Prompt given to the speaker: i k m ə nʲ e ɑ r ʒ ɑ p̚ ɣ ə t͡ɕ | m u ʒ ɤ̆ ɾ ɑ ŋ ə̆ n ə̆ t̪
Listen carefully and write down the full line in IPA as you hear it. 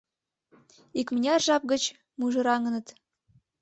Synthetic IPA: i k m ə nʲ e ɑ r ʒ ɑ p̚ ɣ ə t͡ɕ | m u ʒ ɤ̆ ɾ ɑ ŋ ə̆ n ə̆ t̪